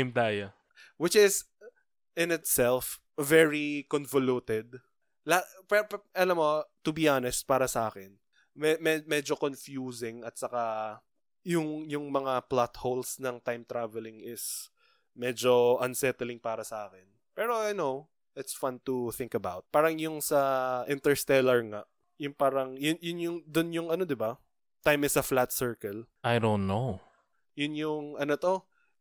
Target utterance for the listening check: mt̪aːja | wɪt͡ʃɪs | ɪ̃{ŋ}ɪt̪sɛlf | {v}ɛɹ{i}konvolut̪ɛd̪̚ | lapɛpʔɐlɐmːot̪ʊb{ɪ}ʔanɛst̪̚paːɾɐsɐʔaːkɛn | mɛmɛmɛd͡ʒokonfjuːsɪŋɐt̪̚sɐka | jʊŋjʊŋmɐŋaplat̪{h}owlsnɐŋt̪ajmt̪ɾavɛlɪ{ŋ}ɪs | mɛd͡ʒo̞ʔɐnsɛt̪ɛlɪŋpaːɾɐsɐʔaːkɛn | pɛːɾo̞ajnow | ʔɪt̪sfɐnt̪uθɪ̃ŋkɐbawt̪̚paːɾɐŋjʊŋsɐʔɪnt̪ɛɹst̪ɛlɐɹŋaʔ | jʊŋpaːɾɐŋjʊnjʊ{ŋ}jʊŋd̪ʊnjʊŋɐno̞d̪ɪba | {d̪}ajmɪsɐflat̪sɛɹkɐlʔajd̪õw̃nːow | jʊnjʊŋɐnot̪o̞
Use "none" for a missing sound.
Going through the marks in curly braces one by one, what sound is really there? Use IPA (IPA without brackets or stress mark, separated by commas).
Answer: n, v, i, i, h, ŋ, n, t̪